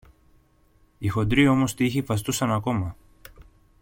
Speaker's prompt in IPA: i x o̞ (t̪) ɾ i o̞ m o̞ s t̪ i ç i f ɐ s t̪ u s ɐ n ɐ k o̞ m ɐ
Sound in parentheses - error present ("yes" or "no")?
yes